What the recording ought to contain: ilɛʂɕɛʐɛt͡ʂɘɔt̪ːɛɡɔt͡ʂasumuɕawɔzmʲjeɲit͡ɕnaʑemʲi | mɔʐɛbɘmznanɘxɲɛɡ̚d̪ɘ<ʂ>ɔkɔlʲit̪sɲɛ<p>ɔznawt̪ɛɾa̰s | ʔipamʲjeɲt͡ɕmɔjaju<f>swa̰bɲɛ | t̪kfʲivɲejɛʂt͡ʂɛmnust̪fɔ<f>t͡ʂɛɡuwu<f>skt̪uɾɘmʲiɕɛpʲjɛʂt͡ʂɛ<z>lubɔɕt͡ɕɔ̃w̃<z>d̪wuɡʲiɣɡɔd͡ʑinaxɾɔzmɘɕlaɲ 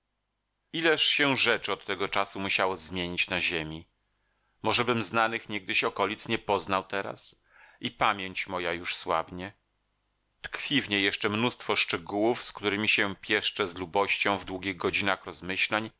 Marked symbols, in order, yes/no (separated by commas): no, yes, no, no, yes, yes, no